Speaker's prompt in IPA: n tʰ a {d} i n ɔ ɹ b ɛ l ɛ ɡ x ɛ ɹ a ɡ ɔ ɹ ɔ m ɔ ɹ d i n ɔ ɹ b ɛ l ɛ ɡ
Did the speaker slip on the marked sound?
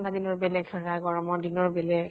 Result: no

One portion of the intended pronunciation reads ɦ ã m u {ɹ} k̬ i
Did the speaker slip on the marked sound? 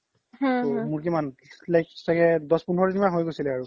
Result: no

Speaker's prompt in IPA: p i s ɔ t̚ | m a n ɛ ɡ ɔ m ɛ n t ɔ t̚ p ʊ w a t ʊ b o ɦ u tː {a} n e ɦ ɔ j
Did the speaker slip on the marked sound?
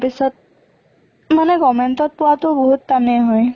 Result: no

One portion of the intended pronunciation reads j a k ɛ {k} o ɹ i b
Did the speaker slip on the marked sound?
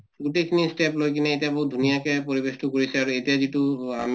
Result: yes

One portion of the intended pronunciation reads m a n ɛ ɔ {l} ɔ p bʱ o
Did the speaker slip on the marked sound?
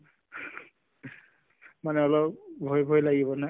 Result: no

